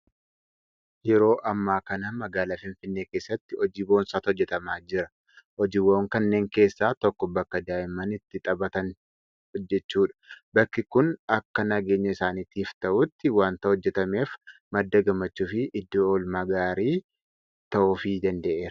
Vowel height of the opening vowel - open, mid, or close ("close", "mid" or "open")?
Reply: mid